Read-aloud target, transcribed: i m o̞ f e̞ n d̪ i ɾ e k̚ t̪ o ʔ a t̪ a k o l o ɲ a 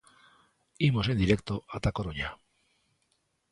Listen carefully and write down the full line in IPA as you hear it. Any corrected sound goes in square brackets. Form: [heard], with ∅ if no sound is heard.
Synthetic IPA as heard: i m o̞ [s] e̞ n d̪ i ɾ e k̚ t̪ o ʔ a t̪ a k o [ɾ] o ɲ a